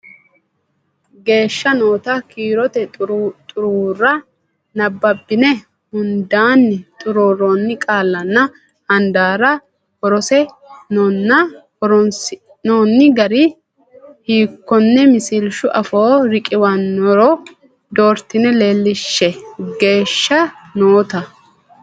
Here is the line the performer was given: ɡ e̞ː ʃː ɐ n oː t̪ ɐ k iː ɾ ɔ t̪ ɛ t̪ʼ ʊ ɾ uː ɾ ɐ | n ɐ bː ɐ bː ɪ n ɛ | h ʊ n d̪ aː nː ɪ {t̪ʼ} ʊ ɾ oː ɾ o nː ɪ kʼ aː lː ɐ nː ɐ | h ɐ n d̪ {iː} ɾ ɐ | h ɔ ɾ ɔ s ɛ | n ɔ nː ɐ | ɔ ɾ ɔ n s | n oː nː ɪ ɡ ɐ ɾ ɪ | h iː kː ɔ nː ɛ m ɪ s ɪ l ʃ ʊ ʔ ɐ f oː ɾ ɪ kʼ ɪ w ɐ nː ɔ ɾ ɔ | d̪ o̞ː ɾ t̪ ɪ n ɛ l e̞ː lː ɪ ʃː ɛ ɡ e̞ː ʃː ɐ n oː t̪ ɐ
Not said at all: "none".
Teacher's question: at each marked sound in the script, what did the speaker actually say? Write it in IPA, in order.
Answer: t̪ʼ, aː

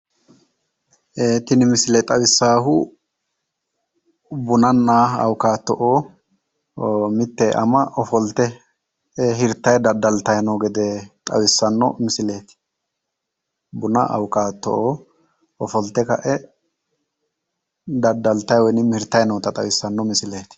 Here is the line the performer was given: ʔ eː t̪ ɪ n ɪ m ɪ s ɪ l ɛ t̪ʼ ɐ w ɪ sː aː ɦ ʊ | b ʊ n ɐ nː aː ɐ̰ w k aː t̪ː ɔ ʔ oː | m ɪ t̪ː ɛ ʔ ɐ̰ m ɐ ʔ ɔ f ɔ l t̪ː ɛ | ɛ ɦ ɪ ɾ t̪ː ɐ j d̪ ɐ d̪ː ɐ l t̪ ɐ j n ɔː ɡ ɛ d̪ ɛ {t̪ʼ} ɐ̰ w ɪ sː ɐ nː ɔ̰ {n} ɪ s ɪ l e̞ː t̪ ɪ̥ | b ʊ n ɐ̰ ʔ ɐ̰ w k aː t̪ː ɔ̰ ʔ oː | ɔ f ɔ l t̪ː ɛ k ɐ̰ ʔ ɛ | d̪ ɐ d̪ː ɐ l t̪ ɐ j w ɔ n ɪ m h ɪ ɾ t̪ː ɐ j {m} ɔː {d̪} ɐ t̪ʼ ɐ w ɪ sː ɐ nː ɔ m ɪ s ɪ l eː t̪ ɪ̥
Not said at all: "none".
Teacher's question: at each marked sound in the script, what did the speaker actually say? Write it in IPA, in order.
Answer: t̪ʼ, m, n, t̪

